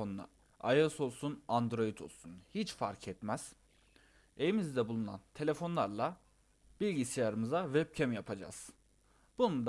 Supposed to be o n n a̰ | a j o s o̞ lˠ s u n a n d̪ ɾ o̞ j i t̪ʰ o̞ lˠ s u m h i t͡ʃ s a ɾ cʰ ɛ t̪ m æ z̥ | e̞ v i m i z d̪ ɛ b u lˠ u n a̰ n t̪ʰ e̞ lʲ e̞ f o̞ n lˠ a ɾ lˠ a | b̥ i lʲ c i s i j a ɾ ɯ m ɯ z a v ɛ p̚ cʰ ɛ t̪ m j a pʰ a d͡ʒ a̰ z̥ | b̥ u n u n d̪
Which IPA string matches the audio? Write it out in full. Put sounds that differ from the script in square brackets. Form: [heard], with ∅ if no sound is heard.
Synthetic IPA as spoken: o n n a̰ | a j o s o̞ lˠ s u n a n d̪ ɾ o̞ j i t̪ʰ o̞ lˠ s u [n] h i t͡ʃ [f] a ɾ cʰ ɛ t̪ m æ z̥ | e̞ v i m i z d̪ ɛ b u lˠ u n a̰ n t̪ʰ e̞ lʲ e̞ f o̞ n lˠ a ɾ lˠ a | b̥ i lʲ [ɟ] i s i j a ɾ ɯ m ɯ z a v ɛ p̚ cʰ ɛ [∅] m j a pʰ a d͡ʒ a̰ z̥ | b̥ u n u n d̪